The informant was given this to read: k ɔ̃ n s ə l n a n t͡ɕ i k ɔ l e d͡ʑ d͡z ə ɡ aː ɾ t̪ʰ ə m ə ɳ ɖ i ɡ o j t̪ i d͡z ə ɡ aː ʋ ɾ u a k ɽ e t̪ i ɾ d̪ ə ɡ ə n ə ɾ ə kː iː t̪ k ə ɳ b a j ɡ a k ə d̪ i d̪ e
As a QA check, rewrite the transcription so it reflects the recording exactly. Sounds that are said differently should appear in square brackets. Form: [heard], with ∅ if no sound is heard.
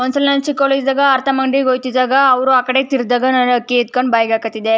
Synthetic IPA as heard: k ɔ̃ n s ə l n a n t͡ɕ i k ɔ l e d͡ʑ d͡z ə ɡ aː ɾ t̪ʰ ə m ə ɳ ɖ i ɡ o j t̪ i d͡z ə ɡ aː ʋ ɾ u a k ɽ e t̪ i ɾ d̪ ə ɡ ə n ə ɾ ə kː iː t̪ k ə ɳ b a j ɡ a k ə [t̪] i d̪ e

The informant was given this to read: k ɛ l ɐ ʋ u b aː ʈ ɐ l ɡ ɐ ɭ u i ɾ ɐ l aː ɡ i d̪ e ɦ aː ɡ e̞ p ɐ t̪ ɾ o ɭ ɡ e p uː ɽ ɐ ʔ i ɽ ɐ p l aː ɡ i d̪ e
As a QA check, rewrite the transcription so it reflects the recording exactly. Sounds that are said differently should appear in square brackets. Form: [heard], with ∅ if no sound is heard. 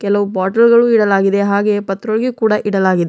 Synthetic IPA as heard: k ɛ l ɐ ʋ u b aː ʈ ɐ l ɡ ɐ ɭ u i [ɽ] ɐ l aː ɡ i d̪ e ɦ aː ɡ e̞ p ɐ t̪ ɾ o ɭ ɡ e [k] uː ɽ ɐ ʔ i ɽ ɐ [∅] l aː ɡ i d̪ e

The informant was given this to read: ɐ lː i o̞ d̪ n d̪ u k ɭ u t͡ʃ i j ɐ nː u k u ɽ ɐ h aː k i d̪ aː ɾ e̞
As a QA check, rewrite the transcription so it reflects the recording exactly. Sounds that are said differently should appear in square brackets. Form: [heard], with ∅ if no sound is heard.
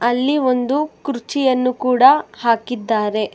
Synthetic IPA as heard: ɐ lː i o̞ [∅] n d̪ u k [ɾ] u t͡ʃ i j ɐ nː u k [uː] ɽ ɐ h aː k i [d̪ː] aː ɾ e̞

